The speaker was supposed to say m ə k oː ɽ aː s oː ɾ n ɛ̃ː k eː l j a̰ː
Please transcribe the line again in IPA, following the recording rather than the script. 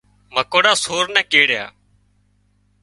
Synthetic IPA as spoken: m ə k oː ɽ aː s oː ɾ n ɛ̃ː k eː ɽ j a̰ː